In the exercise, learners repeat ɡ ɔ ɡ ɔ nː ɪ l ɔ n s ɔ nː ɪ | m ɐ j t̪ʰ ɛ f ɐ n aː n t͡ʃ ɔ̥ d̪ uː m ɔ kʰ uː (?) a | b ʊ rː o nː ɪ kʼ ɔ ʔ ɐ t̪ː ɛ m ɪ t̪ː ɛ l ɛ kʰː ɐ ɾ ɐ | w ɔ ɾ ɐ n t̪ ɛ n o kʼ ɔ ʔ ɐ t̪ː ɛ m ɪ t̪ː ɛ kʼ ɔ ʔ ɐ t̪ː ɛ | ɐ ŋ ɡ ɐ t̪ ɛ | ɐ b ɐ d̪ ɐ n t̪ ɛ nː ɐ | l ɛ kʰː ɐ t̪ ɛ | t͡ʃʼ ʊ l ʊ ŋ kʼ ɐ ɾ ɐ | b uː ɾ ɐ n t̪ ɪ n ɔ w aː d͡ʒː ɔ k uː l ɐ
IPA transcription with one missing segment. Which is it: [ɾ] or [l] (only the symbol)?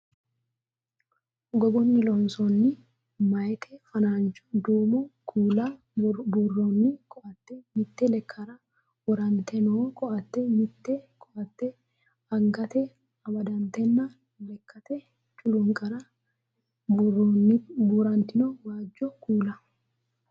l